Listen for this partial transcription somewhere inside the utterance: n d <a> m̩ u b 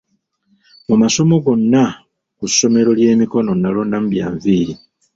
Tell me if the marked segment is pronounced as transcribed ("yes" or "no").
yes